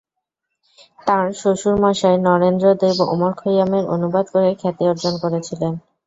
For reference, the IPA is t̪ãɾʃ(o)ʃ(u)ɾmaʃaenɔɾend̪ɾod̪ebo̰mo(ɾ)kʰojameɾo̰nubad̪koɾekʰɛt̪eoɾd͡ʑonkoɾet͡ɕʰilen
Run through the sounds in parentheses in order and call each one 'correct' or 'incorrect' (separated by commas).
correct, correct, correct